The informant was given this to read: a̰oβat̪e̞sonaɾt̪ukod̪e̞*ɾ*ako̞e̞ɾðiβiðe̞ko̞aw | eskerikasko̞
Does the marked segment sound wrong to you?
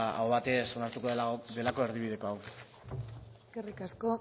yes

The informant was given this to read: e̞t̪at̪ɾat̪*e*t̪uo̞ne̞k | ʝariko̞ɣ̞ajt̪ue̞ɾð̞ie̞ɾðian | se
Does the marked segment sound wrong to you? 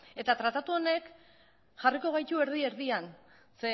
yes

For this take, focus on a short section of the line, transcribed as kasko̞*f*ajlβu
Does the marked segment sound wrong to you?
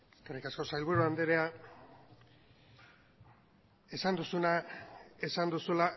yes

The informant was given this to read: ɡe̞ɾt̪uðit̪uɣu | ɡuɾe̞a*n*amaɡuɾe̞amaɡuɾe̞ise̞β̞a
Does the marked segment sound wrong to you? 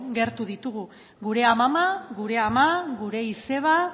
yes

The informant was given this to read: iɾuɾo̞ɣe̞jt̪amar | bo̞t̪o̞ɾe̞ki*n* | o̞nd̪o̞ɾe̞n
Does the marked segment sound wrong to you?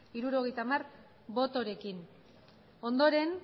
no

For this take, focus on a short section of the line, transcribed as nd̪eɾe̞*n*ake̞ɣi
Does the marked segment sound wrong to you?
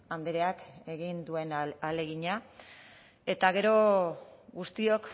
yes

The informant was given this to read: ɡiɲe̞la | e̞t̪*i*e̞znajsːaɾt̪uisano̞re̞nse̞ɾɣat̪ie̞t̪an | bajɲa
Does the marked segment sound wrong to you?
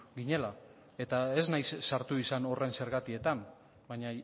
yes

